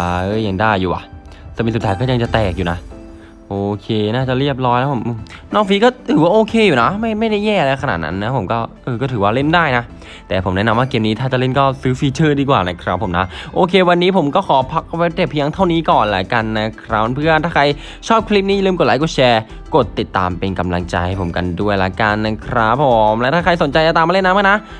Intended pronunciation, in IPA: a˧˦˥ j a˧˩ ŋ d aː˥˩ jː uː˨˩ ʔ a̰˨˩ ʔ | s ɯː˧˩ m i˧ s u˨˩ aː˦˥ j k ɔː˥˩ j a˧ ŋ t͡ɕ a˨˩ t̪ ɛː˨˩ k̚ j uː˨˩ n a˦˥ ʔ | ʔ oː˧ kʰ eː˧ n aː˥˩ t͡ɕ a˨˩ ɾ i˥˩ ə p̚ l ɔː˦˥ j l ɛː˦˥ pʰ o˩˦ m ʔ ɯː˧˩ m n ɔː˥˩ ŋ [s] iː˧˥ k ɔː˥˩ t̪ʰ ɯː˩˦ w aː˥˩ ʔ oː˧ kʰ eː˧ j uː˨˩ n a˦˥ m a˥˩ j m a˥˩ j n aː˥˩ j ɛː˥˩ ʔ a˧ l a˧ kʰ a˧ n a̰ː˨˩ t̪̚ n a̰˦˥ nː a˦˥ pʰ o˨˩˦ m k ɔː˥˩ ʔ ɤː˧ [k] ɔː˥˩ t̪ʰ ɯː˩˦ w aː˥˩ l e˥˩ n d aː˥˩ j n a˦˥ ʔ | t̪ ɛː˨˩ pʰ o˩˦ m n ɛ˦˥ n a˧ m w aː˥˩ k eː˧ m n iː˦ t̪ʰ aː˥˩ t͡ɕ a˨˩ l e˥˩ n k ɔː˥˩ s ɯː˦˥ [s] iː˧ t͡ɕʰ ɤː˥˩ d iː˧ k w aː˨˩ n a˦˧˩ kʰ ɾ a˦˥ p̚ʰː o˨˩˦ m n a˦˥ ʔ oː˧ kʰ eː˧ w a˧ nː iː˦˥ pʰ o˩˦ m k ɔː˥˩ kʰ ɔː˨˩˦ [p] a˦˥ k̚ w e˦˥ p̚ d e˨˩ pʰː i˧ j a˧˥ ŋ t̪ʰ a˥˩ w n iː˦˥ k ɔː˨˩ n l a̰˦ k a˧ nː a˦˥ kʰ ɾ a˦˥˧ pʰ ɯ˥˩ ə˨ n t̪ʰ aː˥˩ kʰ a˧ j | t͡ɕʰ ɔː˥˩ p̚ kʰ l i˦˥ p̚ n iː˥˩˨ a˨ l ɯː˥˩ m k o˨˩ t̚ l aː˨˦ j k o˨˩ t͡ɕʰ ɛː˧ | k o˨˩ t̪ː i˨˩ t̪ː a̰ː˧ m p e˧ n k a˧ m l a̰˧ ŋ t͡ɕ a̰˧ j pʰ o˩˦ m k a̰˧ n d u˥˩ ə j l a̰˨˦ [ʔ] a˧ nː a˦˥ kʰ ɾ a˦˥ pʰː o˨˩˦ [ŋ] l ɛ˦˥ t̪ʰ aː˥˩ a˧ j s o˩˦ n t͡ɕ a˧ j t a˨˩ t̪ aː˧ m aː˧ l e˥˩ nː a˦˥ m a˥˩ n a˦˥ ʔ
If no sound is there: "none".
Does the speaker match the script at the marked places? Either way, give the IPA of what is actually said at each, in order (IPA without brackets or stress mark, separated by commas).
f, k, f, pʰ, k, m